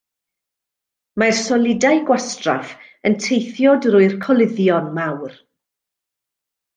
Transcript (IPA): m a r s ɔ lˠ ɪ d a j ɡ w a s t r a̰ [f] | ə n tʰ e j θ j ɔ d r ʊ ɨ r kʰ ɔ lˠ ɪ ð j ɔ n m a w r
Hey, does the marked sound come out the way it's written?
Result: yes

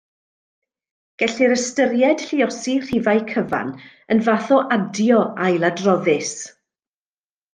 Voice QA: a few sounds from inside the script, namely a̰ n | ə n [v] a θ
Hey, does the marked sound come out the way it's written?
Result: yes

